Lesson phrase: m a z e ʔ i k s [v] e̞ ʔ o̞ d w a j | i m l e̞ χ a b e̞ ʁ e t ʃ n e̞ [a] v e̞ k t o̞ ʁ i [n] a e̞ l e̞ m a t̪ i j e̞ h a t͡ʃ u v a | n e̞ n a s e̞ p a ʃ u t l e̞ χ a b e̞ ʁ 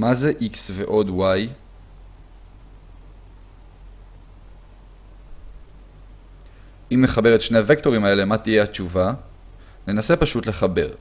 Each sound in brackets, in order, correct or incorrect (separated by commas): correct, correct, incorrect